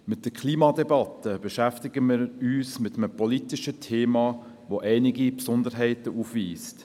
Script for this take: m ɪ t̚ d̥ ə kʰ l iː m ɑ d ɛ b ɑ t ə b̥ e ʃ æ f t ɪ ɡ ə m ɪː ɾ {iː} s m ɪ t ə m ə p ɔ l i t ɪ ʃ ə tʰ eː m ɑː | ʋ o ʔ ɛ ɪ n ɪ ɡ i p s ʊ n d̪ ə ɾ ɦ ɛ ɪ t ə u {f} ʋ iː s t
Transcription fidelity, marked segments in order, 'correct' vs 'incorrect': incorrect, correct

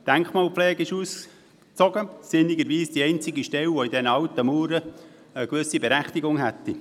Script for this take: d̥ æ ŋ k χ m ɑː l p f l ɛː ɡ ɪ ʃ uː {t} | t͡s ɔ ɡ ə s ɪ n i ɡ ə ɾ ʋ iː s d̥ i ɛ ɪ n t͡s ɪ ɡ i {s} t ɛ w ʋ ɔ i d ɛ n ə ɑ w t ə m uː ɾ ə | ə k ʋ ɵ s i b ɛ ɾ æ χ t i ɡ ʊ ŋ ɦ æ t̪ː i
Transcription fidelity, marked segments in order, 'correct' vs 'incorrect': incorrect, incorrect

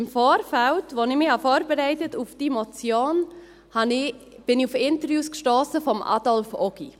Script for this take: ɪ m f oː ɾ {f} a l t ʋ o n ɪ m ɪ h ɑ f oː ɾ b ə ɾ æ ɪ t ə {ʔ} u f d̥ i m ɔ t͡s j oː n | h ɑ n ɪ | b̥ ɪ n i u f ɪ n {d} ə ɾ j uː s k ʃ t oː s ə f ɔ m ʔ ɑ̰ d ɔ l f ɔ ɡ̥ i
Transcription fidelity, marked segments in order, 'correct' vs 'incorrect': correct, incorrect, incorrect

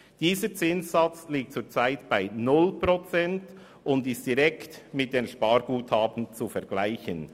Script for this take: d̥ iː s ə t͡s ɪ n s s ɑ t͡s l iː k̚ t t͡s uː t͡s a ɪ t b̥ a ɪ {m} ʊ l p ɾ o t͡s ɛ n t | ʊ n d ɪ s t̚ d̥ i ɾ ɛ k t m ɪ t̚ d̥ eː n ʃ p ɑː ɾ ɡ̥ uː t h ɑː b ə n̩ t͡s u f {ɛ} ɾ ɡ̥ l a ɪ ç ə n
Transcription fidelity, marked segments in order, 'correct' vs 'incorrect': incorrect, correct

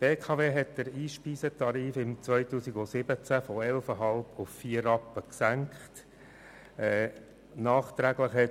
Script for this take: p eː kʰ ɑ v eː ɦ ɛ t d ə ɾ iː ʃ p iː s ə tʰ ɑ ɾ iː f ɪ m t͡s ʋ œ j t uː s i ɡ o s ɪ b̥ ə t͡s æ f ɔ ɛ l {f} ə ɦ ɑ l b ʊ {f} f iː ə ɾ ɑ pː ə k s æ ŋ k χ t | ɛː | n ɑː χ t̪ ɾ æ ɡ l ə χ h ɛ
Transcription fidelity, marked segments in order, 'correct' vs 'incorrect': correct, correct

